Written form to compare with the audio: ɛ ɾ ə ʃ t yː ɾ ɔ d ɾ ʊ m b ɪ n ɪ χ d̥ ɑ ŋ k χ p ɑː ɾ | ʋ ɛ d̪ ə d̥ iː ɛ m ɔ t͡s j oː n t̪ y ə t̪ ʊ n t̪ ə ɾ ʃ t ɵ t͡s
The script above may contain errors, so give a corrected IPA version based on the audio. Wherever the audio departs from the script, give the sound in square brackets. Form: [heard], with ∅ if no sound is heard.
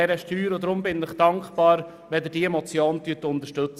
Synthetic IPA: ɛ ɾ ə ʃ t yː ɾ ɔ d ɾ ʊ m b ɪ n ɪ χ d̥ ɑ ŋ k χ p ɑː ɾ | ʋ ɛ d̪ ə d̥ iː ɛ m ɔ t͡s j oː n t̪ y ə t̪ ʊ n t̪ ə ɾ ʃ t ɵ t͡s

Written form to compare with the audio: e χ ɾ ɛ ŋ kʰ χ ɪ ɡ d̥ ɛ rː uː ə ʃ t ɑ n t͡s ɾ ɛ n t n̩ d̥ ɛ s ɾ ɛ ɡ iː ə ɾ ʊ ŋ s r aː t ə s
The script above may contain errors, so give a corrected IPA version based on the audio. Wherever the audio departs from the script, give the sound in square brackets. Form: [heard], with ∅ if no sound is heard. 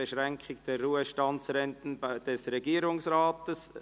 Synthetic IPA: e [ʃ] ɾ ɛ ŋ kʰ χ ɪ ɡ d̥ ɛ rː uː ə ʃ t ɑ n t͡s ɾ ɛ n t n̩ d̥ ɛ s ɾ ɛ ɡ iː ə ɾ ʊ ŋ s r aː t ə s

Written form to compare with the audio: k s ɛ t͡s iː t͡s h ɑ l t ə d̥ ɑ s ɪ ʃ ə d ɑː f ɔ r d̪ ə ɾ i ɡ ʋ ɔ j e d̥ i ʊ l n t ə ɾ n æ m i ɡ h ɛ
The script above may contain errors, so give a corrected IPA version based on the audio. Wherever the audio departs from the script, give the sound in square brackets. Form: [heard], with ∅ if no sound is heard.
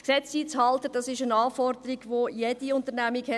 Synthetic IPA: k s ɛ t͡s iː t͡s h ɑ l t ə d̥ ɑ s ɪ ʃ ə [n] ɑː f ɔ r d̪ ə ɾ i ɡ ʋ [o] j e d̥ i ʊ [∅] n t ə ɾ n æ m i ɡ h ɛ

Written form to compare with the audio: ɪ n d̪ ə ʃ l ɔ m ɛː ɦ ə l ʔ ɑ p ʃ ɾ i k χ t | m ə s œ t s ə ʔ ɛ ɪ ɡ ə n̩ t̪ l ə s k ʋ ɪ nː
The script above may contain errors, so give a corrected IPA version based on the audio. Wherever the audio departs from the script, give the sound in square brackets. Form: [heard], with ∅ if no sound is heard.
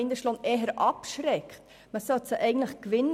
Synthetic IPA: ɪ n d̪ ə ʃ l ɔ [n] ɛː ɦ ə [ɾ] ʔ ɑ p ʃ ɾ [ɛ] k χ t | m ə s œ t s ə ʔ ɛ ɪ ɡ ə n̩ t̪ l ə [χ] k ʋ ɪ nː

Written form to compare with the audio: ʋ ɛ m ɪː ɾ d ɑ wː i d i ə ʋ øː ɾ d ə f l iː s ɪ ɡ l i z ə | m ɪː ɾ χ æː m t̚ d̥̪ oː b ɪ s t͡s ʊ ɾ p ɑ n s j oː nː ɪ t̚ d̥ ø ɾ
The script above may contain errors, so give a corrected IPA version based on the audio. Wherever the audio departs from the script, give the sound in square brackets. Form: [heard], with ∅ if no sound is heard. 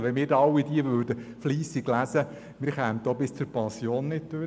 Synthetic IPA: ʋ ɛ m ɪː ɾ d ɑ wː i d i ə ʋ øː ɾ d ə f l iː s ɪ ɡ l [æ] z ə | m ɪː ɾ χ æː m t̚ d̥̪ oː b ɪ s t͡s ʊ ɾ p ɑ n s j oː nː ɪ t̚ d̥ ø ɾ

